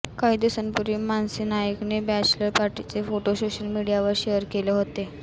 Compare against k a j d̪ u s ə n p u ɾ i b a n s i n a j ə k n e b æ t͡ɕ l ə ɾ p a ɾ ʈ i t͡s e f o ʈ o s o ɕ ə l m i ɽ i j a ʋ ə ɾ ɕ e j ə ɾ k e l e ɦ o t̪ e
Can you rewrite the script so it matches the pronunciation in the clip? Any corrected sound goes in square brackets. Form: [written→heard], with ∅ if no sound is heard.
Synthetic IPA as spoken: k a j d̪ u s ə n p u ɾ i [b→m] a n s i n a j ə k n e b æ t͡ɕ l ə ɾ p a ɾ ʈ i t͡s e f o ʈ o s o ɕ ə l m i ɽ i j a ʋ ə ɾ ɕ e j ə ɾ k e l e ɦ o t̪ e